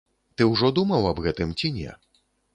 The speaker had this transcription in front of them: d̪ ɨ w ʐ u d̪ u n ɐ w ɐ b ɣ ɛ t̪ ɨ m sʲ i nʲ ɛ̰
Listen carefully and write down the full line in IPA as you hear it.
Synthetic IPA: t̪ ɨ w ʐ ɔ d̪ u m ɐ w ɐ b ɣ ɛ t̪ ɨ m t͡sʲ i nʲ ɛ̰